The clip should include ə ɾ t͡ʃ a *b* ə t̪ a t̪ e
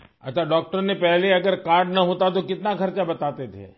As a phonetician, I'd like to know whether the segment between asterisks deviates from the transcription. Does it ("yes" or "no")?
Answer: no